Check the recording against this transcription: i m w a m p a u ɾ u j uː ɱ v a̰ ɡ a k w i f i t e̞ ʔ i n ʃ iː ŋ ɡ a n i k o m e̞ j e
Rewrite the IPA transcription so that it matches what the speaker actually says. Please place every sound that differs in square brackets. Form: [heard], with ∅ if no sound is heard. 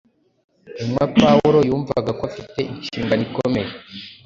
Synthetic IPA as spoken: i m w a [∅] p a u ɾ [o] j uː ɱ v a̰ ɡ a k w [a] f i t e̞ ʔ i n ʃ iː ŋ ɡ a n i k o m e̞ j e

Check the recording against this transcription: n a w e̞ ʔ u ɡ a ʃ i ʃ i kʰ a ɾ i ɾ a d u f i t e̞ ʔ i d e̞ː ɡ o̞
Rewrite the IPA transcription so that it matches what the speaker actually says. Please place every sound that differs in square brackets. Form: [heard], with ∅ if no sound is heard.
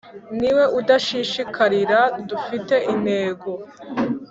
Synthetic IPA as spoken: n [i] w e̞ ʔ u [d] a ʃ i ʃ i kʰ a ɾ i ɾ a d u f i t e̞ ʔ i [n] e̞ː ɡ o̞

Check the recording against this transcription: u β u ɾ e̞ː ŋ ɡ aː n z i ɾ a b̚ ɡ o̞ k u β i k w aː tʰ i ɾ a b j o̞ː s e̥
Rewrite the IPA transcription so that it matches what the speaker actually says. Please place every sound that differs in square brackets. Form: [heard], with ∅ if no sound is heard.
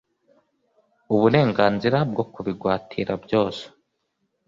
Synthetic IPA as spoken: u β u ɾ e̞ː ŋ ɡ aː n z i ɾ a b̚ ɡ o̞ k u β i [ɡ] w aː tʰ i ɾ a b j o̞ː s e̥

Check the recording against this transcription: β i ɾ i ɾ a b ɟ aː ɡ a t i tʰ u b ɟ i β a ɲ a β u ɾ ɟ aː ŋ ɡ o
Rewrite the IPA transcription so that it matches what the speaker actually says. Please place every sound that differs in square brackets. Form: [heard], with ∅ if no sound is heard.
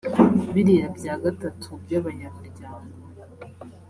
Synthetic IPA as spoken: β i ɾ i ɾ a b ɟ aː ɡ a t [a] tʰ u b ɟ [a] β a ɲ a β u ɾ ɟ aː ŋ ɡ o

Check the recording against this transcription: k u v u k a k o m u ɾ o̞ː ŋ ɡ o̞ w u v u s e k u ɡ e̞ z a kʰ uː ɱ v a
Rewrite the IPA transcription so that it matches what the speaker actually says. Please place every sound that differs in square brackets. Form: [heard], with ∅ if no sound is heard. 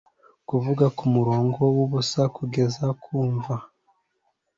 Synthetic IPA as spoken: k u v u [ɡ] a k [u] m u ɾ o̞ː ŋ ɡ o̞ w u [β] u s [a] k u ɡ e̞ z a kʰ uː ɱ v a

